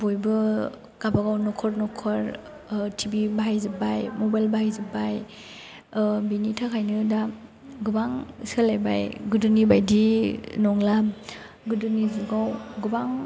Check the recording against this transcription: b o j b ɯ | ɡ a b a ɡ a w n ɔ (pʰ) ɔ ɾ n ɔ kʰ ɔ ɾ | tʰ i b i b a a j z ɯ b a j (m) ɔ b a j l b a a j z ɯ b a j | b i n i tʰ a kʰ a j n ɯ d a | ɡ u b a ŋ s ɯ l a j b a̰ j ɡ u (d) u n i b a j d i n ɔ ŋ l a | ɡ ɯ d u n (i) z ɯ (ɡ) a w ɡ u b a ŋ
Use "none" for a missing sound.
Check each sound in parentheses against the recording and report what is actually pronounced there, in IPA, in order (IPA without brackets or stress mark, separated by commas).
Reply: kʰ, m, d, i, ɡ